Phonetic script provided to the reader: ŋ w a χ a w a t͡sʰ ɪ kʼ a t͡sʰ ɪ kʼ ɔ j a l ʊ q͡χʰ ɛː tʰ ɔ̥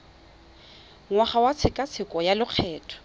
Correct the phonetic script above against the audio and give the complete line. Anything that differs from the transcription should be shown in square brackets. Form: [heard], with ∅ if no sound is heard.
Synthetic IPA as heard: ŋ w a χ a w a t͡sʰ ɪ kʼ a t͡sʰ ɪ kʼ ɔ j a l ʊ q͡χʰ ɛː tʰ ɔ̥